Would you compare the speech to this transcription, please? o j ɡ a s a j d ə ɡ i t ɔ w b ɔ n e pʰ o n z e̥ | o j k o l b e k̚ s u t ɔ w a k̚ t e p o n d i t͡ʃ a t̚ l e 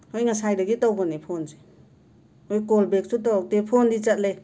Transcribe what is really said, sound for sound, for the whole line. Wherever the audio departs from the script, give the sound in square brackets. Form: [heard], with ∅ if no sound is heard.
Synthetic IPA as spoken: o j [ŋ] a s a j d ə ɡ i t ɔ w b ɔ n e pʰ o n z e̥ | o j k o l b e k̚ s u t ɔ w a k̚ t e [pʰ] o n d i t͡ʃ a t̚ l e